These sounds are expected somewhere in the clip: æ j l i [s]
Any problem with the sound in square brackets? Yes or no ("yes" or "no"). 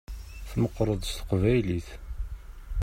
yes